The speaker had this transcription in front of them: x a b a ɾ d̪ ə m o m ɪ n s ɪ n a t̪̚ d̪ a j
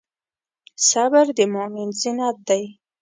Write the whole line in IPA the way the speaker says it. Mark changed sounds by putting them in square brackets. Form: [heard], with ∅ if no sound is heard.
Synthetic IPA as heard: [s] a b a ɾ d̪ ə m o m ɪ n [z] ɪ n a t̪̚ d̪ a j